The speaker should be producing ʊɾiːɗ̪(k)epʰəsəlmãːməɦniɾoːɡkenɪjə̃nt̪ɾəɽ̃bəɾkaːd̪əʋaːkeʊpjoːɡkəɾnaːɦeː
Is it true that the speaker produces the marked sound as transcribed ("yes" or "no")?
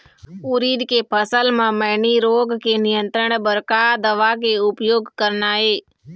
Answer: yes